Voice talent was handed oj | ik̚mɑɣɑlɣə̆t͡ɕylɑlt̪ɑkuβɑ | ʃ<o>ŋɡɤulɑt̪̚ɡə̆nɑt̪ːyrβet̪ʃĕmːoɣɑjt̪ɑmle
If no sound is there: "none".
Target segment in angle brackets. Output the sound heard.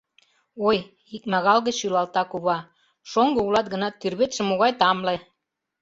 o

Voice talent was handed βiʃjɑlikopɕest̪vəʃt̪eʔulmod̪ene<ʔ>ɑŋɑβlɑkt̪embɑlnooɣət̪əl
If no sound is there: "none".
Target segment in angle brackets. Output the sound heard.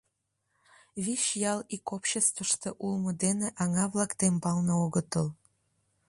ʔ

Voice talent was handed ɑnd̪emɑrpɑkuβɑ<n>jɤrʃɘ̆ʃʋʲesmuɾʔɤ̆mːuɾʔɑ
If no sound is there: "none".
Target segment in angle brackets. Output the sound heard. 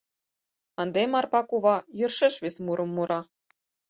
none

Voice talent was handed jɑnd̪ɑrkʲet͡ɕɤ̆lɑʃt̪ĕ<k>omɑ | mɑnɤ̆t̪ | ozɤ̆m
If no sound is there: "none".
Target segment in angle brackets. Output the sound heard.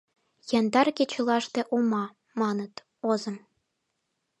ʔ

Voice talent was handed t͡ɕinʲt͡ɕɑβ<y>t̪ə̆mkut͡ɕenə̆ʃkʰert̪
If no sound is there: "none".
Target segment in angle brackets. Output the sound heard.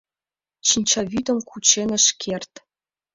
y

